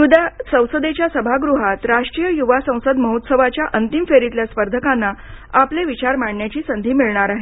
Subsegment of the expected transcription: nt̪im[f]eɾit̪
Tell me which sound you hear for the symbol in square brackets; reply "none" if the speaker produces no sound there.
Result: f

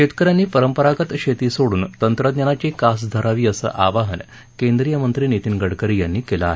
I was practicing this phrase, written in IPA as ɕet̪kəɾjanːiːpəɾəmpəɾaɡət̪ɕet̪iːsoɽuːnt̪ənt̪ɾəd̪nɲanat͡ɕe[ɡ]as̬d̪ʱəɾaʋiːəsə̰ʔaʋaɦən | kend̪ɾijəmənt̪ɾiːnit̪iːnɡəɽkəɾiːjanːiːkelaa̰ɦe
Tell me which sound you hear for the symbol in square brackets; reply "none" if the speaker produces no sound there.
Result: k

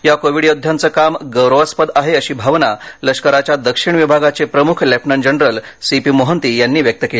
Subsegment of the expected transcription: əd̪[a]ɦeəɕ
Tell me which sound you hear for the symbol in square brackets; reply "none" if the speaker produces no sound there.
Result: a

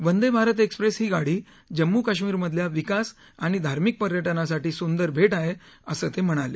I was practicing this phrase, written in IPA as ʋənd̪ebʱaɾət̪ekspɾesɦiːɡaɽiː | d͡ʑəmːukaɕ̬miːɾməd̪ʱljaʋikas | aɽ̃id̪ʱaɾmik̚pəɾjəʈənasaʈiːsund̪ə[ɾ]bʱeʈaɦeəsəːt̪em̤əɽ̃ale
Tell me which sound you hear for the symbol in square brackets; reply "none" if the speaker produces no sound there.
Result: ɾ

